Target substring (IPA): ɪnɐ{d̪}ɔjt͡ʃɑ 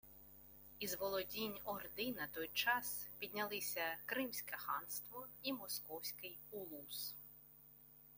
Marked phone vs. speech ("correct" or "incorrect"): incorrect